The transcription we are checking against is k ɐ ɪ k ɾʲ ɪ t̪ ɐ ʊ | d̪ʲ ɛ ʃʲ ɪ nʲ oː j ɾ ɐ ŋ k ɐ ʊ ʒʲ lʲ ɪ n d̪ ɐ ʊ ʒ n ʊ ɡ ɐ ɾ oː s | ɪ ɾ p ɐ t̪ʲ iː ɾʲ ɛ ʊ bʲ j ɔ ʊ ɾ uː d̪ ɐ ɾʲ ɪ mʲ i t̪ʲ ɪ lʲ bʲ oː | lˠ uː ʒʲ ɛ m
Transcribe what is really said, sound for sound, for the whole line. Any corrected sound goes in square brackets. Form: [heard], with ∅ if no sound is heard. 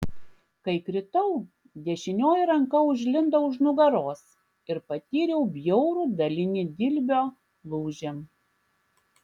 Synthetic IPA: k ɐ ɪ k ɾʲ ɪ t̪ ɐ ʊ | d̪ʲ ɛ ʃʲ ɪ nʲ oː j ɾ ɐ ŋ k ɐ ʊ ʒʲ lʲ ɪ n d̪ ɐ ʊ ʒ n ʊ ɡ ɐ ɾ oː s | ɪ ɾ p ɐ t̪ʲ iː ɾʲ ɛ ʊ bʲ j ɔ ʊ ɾ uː d̪ ɐ [lʲ] ɪ [nʲ] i [d̪ʲ] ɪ lʲ bʲ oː | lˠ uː ʒʲ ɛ m